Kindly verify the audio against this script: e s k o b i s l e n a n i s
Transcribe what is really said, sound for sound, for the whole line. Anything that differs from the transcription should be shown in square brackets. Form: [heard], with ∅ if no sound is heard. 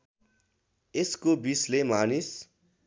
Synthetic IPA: e s k o b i s l e [m] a n i s